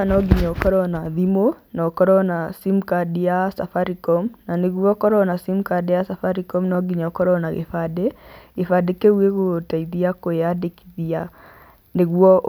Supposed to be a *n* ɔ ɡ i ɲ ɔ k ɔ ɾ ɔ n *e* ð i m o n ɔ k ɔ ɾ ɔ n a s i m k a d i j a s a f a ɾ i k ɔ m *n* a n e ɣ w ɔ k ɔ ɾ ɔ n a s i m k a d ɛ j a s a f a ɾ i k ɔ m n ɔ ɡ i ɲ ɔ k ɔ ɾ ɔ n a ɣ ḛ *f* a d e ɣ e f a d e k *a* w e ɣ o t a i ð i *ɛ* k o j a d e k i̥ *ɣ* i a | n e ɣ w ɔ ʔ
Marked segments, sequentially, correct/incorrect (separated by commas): correct, incorrect, correct, correct, incorrect, incorrect, incorrect